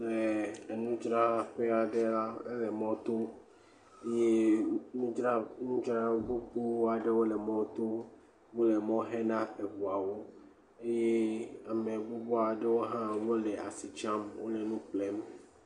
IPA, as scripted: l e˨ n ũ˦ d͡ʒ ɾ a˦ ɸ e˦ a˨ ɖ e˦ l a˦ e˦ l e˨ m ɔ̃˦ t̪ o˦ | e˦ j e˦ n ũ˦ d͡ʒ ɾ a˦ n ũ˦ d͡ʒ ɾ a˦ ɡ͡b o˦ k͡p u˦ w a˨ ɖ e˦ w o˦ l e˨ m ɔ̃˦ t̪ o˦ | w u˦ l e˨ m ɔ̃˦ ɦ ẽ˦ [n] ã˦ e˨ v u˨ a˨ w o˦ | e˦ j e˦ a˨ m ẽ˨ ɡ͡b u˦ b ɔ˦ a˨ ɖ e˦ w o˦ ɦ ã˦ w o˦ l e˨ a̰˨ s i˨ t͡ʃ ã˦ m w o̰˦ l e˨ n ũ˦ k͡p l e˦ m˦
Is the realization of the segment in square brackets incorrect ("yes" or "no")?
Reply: no